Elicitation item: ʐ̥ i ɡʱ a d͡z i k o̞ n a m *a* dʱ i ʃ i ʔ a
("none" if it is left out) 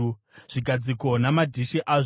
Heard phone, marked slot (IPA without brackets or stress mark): a